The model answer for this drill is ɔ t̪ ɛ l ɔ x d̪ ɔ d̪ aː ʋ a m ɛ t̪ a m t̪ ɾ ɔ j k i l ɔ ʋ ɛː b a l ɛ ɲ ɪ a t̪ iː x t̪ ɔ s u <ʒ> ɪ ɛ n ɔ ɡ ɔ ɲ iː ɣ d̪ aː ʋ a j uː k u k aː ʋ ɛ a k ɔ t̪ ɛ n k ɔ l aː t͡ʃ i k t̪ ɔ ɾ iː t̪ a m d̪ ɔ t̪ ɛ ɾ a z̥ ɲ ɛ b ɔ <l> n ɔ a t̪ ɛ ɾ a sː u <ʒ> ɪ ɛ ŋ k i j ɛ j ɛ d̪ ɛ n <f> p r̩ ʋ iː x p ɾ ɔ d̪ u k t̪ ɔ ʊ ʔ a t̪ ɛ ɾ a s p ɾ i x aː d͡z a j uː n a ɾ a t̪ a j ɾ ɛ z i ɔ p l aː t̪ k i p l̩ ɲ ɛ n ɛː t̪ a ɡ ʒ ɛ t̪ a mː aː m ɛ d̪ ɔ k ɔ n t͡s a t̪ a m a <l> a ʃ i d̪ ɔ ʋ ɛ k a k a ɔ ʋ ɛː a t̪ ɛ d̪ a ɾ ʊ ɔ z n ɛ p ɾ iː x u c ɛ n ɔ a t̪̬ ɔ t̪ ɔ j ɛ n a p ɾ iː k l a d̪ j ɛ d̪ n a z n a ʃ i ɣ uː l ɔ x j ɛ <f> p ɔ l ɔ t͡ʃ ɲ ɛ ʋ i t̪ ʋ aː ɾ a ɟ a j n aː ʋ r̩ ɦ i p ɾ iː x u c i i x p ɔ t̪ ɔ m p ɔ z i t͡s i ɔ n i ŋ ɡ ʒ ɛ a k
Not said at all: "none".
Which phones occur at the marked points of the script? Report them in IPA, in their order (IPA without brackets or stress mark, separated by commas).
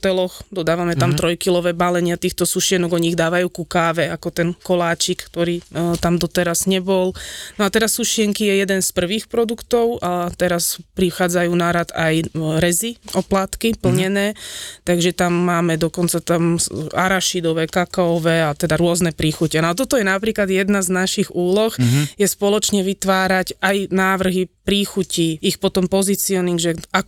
ʃ, l, ʃ, s, ɾ, s